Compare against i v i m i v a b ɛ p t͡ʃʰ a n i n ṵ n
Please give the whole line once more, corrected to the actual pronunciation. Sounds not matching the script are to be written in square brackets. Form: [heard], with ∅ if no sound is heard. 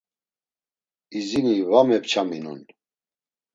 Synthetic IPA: i [z] i [n] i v a [m] ɛ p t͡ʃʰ a [m] i n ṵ n